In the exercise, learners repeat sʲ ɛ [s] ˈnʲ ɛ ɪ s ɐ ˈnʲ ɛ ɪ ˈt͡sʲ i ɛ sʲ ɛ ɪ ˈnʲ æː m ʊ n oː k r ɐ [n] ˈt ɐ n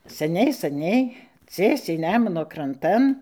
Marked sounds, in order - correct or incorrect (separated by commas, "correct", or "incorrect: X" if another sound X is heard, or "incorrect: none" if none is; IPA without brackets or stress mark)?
incorrect: none, correct